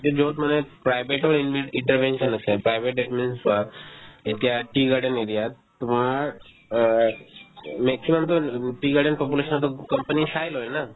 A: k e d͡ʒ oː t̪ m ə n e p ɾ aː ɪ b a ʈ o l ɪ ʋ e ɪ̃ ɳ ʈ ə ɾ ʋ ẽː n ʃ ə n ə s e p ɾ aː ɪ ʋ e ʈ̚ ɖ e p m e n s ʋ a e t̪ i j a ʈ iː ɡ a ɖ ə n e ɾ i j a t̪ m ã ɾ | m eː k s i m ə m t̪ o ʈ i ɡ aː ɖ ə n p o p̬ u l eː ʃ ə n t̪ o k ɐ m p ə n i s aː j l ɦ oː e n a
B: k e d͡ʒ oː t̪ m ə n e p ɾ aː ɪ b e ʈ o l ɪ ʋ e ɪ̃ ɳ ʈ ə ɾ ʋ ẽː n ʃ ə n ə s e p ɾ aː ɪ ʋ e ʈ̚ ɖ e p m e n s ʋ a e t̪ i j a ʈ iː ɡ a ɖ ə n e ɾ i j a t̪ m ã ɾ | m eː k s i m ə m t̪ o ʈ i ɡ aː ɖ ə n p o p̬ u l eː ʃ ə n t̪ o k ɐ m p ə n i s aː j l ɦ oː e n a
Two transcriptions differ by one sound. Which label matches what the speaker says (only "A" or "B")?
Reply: B